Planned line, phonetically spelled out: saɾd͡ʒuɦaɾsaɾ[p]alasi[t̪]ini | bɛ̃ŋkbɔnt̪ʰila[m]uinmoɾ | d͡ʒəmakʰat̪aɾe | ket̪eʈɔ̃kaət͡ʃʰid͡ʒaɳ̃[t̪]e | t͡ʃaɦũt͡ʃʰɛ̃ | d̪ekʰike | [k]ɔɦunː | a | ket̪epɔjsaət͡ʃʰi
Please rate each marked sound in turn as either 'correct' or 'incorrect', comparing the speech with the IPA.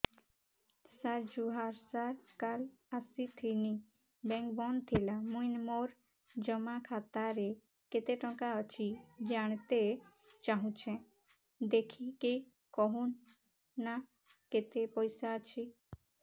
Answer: incorrect, incorrect, correct, correct, correct

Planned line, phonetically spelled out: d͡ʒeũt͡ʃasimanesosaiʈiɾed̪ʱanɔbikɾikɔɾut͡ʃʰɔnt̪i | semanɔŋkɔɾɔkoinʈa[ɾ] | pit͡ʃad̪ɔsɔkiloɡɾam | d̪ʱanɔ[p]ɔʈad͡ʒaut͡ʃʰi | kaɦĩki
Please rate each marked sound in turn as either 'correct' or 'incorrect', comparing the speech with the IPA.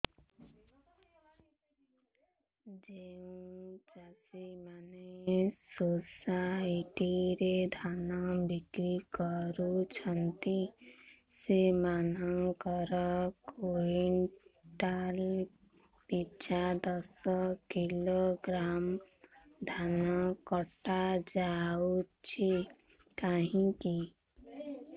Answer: incorrect, incorrect

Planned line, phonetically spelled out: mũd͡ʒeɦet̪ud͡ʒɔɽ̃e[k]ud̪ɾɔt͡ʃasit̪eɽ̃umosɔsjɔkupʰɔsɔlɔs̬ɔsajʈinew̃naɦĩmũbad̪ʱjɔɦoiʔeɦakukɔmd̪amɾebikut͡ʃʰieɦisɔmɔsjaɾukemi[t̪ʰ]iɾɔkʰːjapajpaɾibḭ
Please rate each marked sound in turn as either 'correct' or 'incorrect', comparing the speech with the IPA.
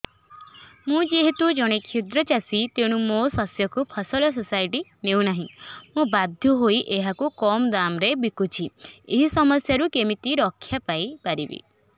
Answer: incorrect, incorrect

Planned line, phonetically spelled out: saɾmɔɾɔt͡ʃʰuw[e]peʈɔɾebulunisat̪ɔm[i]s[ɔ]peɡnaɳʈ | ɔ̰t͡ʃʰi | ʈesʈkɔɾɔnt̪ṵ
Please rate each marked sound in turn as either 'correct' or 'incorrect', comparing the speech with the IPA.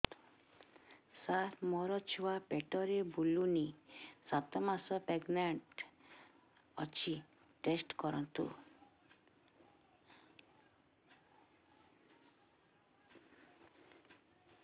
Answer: incorrect, incorrect, correct

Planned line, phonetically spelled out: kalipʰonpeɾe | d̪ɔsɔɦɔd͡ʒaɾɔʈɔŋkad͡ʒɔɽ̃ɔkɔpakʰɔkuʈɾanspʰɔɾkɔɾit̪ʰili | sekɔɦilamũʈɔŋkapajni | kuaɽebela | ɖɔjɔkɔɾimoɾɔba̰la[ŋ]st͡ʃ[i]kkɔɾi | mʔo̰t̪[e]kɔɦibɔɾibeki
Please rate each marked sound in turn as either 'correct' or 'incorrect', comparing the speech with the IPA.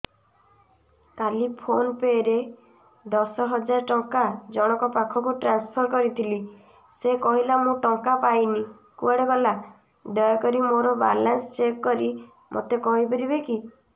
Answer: incorrect, incorrect, correct

